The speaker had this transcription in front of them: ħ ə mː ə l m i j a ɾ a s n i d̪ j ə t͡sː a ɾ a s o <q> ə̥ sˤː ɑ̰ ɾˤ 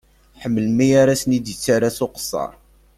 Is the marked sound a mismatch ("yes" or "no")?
no